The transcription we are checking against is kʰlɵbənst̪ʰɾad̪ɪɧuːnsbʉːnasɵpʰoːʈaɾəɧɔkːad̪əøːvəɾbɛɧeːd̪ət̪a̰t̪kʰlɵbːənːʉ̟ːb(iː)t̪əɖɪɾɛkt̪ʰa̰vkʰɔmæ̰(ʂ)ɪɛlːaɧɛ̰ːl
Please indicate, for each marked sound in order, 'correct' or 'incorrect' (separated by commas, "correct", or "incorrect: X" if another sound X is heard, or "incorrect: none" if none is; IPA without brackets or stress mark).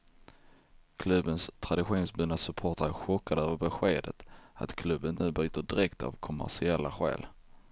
incorrect: yː, correct